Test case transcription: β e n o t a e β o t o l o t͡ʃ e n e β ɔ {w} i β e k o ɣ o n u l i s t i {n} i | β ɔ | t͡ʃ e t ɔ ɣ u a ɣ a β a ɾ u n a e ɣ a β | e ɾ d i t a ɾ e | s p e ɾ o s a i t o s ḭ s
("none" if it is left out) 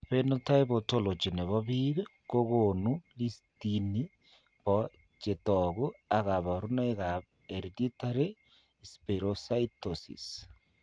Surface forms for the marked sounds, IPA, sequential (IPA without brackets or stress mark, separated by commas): β, n